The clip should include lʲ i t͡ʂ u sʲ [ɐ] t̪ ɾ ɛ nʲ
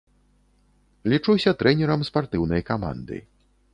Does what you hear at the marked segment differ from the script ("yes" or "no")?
no